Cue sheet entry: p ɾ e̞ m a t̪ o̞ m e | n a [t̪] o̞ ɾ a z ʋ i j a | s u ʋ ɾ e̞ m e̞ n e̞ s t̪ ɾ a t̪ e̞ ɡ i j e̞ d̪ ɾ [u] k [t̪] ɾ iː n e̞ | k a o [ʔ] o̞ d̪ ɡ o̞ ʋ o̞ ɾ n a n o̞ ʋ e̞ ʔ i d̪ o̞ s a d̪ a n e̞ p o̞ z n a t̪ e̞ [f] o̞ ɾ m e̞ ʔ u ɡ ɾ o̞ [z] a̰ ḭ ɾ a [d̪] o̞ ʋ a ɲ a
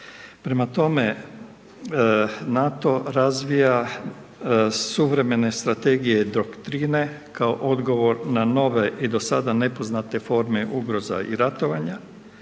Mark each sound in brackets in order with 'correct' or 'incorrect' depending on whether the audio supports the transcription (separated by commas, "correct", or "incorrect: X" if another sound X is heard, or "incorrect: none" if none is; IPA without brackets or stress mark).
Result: correct, incorrect: o, correct, correct, correct, correct, incorrect: t̪